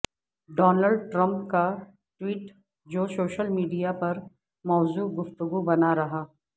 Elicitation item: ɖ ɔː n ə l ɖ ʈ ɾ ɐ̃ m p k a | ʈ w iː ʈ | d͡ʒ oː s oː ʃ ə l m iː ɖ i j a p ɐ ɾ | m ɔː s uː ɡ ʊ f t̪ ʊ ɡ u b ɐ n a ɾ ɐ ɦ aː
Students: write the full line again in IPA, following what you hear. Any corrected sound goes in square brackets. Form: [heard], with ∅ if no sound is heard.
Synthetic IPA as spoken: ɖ ɔː n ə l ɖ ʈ ɾ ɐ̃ m p k a | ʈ w iː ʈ | d͡ʒ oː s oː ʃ ə l m iː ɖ i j a p ɐ ɾ | m ɔː [z] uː ɡ ʊ f t̪ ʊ ɡ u b ɐ n a ɾ ɐ ɦ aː